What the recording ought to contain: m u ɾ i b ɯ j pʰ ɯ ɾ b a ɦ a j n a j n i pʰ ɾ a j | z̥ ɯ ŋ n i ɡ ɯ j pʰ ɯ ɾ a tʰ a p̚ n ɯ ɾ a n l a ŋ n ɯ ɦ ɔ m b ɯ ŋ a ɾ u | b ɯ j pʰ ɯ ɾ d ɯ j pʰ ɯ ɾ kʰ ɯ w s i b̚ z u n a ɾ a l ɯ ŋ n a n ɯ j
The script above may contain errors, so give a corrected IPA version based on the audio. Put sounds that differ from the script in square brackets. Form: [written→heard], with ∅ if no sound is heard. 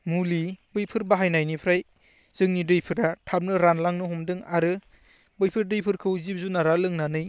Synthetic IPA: m u [ɾ→l] i b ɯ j pʰ ɯ ɾ b a ɦ a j n a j n i pʰ ɾ a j | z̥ ɯ ŋ n i [ɡ→d] ɯ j pʰ ɯ ɾ a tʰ a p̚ n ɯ ɾ a n l a ŋ n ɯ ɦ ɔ m [b→d] ɯ ŋ a ɾ [u→ɯ] | b ɯ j pʰ ɯ ɾ d ɯ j pʰ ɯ ɾ kʰ ɯ w [s→z] i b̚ z u n a ɾ a l ɯ ŋ n a n ɯ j